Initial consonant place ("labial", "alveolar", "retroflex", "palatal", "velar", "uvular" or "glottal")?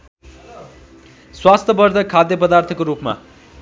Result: alveolar